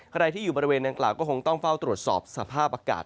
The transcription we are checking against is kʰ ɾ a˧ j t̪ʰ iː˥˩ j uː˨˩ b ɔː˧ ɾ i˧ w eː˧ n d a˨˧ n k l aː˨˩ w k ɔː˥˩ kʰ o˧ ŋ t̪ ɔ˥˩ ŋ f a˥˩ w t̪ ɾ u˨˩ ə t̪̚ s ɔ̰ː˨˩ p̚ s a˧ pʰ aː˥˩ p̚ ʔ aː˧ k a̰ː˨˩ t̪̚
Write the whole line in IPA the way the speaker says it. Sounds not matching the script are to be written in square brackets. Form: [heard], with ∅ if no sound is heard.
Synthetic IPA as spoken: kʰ ɾ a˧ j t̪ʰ iː˥˩ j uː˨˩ b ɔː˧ ɾ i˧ w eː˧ n d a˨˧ [ŋ] k l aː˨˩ w k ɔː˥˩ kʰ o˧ ŋ t̪ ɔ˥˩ ŋ f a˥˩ w t̪ ɾ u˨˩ ə t̪̚ s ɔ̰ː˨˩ p̚ s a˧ pʰ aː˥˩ p̚ ʔ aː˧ k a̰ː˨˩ t̪̚